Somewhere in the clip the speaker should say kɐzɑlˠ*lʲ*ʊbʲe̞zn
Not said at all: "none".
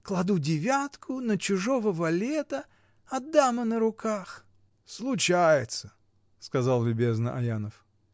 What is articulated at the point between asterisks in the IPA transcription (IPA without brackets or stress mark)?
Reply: lʲ